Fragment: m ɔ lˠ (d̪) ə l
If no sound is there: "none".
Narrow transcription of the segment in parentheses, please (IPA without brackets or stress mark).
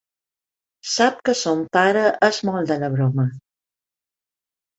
d̪